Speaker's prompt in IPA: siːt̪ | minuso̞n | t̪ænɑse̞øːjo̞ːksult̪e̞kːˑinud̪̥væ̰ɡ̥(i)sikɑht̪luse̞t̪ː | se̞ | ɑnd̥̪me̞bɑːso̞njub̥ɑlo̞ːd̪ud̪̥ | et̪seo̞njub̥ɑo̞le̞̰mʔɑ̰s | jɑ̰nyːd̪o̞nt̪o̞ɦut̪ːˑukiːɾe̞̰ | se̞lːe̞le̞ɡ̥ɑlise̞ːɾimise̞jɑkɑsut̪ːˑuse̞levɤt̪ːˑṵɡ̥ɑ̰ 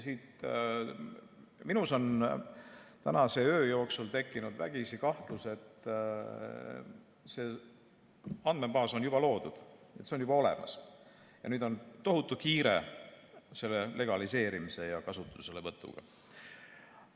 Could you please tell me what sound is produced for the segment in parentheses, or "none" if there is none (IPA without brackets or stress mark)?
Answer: i